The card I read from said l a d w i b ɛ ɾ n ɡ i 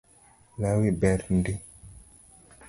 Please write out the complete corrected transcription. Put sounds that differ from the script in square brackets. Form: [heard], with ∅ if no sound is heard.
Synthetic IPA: l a [∅] w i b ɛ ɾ n [d] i